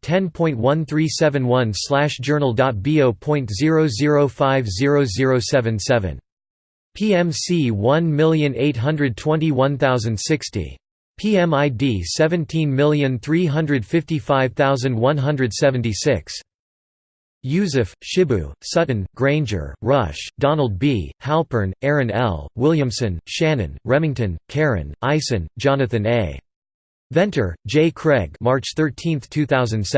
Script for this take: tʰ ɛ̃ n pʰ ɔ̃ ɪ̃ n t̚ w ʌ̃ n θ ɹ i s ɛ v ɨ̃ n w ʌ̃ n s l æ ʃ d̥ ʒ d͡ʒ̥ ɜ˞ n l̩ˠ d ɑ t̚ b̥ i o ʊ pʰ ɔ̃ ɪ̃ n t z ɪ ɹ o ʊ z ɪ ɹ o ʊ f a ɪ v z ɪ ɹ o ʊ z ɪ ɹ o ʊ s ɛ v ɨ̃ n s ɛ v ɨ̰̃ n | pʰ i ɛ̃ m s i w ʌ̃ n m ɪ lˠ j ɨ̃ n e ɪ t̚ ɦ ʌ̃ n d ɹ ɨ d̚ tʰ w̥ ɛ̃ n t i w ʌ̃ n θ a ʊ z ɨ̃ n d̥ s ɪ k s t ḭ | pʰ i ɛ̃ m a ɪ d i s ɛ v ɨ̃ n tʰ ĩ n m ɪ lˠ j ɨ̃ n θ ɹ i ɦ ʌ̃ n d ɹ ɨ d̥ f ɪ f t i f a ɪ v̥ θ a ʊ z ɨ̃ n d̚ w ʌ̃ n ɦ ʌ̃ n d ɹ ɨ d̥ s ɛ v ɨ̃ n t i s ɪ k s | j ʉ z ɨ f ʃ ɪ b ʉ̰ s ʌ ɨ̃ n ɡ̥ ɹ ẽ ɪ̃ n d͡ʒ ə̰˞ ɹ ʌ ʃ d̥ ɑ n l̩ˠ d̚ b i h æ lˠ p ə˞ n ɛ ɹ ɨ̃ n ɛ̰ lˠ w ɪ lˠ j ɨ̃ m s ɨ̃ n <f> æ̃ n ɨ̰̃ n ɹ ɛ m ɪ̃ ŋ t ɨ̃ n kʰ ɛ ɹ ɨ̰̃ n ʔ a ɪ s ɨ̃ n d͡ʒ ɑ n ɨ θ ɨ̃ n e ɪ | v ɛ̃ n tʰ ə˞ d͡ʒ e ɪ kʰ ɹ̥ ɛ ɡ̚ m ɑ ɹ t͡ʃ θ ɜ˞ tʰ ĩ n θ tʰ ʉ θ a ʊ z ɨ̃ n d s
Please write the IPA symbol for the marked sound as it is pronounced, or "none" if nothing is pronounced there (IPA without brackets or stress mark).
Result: ʃ